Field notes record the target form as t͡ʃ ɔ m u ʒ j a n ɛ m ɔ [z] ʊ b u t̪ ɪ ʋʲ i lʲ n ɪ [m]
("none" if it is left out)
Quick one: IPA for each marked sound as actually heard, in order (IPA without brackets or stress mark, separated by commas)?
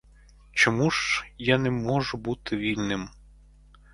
ʒ, m